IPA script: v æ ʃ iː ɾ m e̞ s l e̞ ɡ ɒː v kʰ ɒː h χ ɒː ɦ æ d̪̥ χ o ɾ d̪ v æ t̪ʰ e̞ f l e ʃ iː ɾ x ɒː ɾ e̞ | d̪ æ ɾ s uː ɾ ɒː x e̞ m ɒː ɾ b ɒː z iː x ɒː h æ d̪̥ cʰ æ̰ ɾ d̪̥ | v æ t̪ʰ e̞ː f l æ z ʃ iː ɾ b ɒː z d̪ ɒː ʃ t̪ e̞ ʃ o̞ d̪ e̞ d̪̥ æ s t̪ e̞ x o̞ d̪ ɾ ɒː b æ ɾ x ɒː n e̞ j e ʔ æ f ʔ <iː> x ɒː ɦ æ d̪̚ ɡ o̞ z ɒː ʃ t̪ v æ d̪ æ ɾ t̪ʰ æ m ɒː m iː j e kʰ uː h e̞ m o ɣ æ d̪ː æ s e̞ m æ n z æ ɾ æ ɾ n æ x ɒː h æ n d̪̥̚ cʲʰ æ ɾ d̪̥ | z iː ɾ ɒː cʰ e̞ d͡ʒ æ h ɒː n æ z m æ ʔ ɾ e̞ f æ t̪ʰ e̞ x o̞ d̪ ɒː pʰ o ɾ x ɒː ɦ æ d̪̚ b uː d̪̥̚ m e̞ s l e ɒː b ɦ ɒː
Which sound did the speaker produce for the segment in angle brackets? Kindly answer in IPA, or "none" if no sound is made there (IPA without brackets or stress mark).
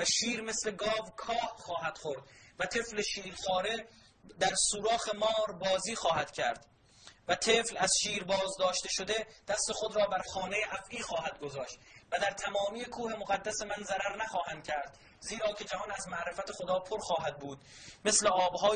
iː